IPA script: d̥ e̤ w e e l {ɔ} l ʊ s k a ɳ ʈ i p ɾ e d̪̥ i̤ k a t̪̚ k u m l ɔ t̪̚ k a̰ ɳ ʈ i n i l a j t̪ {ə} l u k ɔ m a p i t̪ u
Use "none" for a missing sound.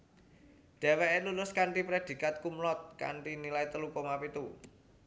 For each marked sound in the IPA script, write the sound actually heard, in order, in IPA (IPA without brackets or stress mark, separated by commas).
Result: u, ə